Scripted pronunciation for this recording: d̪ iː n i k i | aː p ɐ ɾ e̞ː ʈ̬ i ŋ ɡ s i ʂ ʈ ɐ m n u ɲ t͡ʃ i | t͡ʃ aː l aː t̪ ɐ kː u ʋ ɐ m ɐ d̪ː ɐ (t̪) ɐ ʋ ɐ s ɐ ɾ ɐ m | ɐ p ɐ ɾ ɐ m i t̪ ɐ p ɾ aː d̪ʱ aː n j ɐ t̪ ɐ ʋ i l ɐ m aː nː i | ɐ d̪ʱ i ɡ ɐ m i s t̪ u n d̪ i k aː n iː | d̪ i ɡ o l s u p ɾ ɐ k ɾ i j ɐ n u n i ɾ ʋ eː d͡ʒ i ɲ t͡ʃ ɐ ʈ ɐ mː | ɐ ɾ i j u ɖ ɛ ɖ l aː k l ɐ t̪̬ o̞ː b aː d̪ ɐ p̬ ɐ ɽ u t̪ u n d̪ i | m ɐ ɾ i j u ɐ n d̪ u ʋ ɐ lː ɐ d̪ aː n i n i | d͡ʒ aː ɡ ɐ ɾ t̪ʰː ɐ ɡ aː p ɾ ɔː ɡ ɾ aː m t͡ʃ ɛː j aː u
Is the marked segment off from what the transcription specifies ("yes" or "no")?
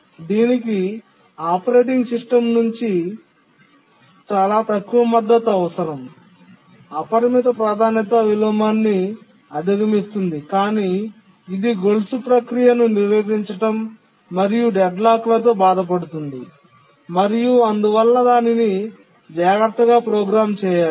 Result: no